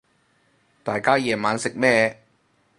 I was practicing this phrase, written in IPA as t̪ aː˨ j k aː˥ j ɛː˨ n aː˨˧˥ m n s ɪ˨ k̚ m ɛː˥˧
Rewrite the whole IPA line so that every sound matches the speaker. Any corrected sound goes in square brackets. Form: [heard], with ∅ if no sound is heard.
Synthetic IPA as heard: t̪ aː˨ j k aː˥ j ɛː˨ [m] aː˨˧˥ [∅] n s ɪ˨ k̚ m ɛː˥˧